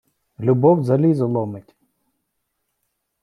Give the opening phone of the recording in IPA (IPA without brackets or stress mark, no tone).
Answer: lʲ